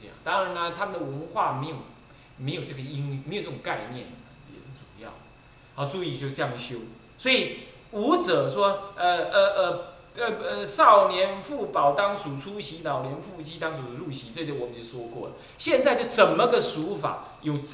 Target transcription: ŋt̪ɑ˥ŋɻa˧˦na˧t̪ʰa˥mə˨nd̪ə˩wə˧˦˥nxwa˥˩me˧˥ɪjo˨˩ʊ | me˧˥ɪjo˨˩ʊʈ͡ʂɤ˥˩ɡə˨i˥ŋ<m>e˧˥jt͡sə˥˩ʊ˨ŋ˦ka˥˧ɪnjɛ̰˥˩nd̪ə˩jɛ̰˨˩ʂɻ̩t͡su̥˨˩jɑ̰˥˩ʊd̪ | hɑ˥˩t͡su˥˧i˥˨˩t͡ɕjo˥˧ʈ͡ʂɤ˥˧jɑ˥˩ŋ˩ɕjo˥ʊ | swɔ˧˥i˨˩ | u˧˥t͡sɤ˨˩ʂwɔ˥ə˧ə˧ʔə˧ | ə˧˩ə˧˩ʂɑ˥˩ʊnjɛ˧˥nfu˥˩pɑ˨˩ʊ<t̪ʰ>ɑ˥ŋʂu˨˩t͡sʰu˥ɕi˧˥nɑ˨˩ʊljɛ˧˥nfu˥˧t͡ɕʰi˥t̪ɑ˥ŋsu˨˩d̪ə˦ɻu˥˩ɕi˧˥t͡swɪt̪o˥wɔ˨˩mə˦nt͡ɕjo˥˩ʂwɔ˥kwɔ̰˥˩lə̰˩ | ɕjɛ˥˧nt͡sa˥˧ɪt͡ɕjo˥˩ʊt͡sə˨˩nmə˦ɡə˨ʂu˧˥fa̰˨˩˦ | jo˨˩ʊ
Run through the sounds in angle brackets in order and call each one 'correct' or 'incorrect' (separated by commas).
correct, incorrect